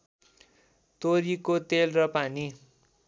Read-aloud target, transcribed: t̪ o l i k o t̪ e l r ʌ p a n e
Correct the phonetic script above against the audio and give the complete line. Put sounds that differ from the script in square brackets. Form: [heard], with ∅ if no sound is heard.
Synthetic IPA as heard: t̪ o [ɾ] i k o t̪ e l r ʌ p a n [i]